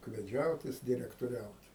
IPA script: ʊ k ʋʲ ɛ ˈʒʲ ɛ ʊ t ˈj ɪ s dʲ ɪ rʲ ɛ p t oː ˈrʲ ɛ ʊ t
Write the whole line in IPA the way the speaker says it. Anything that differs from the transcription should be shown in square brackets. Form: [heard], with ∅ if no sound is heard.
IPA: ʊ k ʋʲ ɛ [ˈd͡ʒʲ] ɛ ʊ t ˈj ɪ s dʲ ɪ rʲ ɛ [k] t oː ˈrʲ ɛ ʊ t